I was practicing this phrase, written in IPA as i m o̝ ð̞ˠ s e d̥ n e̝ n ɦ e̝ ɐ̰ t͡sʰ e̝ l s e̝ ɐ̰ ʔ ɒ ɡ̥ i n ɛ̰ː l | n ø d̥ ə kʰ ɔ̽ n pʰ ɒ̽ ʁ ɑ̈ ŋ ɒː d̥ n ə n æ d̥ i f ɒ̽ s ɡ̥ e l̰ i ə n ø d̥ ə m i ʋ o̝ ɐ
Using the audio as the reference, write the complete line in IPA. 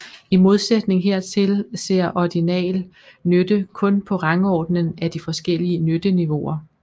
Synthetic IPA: i m o̝ ð̞ˠ s e d̥ n e̝ ŋ ɦ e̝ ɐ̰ t͡sʰ e̝ l s e̝ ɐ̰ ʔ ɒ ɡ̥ i n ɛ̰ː l | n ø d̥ ə kʰ ɔ̽ n pʰ ɒ̽ ʁ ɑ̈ ŋ ɒː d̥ n ə n æ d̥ i f ɒ̽ s ɡ̥ e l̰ i ə n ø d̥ ə n i ʋ o̝ ɐ

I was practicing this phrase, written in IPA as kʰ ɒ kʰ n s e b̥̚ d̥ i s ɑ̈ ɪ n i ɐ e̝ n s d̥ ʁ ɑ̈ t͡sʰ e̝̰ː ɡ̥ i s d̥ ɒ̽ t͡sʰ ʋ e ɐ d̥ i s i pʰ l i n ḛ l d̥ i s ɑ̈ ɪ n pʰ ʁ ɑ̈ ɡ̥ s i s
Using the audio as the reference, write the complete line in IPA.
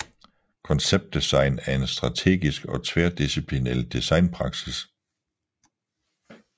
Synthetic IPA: kʰ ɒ n s e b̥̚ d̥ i s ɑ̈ ɪ n æ ɐ e̝ n s d̥ ʁ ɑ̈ t͡sʰ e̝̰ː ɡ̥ i s ɡ̥ ɒ̽ t͡sʰ ʋ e ɐ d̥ i s i pʰ l i n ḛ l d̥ i s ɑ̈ ɪ n pʰ ʁ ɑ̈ ɡ̥ s i s

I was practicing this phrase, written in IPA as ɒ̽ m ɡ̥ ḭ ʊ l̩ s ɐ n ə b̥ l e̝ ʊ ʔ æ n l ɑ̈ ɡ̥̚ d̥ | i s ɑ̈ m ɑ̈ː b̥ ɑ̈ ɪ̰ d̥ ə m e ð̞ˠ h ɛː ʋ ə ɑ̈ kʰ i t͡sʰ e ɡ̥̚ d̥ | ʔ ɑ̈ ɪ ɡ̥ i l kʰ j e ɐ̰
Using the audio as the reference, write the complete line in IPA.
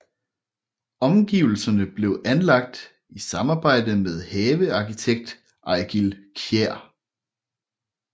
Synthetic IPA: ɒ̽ m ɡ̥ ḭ ʊ l̩ s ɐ n ə b̥ l e̝ ʊ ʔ æ n l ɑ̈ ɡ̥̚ d̥ | i s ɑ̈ m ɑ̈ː b̥ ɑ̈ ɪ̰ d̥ ə m e ð̞ˠ h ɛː ʋ ə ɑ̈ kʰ i t͡sʰ e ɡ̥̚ d̥ | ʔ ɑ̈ ɪ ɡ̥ i l kʰ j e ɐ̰

